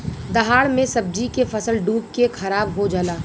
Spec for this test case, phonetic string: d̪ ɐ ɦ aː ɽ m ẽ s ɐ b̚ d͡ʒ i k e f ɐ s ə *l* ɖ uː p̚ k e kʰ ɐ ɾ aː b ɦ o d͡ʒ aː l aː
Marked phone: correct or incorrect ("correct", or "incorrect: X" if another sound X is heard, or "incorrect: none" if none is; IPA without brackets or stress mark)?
correct